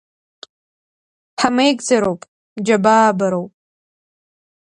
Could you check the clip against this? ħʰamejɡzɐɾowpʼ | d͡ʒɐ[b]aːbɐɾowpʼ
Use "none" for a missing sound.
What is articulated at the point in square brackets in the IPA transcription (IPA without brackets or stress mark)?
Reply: b